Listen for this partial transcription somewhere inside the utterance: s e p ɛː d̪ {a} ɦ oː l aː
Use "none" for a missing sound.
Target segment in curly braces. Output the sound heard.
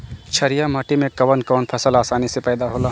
a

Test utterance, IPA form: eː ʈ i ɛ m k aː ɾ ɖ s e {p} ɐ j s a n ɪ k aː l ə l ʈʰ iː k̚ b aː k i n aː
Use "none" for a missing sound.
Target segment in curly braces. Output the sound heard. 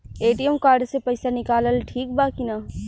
p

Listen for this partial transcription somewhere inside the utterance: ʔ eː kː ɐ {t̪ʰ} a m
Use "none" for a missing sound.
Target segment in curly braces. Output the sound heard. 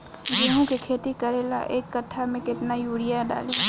t̪ʰ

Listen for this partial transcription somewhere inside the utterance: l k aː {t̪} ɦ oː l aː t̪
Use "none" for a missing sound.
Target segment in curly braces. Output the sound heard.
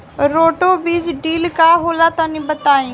none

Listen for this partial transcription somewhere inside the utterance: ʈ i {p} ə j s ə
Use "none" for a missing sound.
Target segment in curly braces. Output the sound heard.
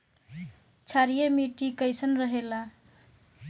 k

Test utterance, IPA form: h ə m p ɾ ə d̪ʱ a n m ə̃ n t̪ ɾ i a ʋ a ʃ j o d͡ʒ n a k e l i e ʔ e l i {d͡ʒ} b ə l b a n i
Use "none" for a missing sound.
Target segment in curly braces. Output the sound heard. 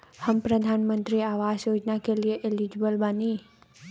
d͡ʒ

